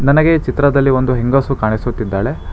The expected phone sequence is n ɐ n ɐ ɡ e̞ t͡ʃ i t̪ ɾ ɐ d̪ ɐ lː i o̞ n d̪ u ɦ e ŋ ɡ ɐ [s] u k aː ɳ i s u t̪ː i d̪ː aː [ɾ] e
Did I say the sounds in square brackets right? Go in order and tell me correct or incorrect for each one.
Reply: correct, incorrect: ɭ

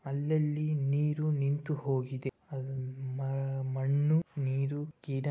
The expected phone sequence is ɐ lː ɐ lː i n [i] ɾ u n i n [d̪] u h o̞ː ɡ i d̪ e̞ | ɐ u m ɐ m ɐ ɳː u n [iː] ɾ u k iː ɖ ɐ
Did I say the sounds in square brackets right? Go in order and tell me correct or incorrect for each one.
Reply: incorrect: iː, incorrect: t̪, correct

